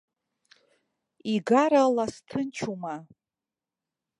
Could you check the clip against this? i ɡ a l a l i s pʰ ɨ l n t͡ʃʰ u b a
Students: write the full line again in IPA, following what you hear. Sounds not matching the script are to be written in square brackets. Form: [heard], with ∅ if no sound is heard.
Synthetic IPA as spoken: i ɡ a [ɾ] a l [a] s [tʰ] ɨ [∅] n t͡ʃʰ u [m] a